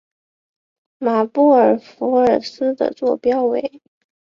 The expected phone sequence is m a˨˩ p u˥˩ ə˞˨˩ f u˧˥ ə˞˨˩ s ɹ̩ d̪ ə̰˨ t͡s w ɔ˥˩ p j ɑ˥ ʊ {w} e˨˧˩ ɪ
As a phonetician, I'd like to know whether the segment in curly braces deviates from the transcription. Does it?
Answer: no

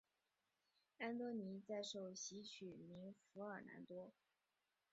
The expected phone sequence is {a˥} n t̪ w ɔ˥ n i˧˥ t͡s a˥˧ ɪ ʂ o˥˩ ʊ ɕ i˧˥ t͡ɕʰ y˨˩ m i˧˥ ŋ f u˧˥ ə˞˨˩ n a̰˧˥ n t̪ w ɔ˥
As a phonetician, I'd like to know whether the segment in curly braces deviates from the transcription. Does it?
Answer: no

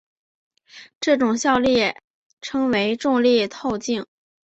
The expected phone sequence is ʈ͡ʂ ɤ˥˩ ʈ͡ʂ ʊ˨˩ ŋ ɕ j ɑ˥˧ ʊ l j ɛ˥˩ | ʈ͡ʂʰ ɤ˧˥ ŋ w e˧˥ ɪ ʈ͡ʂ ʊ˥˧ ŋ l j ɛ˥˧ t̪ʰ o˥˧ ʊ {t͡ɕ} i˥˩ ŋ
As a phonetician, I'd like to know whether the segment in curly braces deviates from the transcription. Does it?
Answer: no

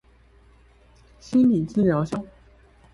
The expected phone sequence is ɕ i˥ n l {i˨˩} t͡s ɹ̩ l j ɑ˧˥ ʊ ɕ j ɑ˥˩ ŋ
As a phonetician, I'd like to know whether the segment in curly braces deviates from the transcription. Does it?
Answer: no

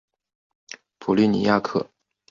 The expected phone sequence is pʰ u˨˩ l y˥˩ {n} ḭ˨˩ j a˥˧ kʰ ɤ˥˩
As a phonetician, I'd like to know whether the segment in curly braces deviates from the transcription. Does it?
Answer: no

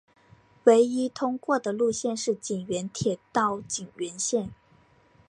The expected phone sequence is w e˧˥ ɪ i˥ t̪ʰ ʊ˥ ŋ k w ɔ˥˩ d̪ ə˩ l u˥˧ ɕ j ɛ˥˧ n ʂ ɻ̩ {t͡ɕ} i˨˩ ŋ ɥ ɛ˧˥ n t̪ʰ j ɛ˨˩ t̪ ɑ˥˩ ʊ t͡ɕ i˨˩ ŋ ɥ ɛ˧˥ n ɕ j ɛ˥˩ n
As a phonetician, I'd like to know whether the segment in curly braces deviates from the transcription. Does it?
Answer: no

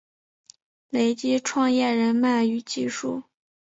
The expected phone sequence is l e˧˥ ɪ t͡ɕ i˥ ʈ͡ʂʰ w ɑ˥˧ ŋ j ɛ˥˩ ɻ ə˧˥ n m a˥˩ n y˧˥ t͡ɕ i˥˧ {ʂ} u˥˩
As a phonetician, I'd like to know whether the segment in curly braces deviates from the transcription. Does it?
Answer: no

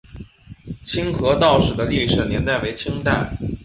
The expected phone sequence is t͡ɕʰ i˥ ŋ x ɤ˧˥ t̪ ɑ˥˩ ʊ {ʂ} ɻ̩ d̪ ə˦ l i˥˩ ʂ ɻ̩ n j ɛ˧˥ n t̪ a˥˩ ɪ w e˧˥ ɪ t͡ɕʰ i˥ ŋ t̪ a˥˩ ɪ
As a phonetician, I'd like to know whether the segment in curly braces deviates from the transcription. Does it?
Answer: no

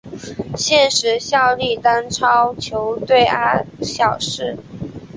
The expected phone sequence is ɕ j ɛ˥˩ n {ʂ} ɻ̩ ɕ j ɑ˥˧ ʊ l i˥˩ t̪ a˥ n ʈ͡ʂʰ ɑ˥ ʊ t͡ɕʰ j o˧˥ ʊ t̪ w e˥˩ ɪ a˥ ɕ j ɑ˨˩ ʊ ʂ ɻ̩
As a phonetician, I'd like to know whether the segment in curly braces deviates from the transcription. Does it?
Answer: no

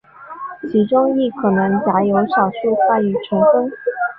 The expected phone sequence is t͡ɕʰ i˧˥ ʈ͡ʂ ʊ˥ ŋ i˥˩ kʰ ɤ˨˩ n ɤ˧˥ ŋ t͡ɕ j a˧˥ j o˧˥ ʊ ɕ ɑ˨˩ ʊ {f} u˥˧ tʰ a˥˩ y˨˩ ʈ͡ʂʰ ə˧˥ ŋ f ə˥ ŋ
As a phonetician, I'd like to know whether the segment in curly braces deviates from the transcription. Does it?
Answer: yes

